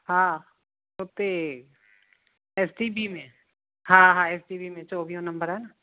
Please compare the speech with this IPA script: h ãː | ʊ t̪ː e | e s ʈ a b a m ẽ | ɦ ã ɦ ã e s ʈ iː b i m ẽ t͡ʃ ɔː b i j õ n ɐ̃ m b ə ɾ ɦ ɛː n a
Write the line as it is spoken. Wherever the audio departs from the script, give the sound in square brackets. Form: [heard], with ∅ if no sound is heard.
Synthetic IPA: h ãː | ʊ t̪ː e | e s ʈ [i] b [i] m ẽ | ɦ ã ɦ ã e s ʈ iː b i m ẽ t͡ʃ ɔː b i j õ n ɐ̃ m b ə ɾ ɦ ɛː n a